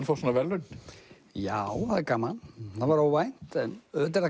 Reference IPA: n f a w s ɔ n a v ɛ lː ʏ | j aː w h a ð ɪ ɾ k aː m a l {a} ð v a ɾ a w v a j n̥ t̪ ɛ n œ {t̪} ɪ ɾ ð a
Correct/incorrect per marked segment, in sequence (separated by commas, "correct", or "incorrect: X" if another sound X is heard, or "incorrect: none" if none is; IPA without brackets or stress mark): correct, correct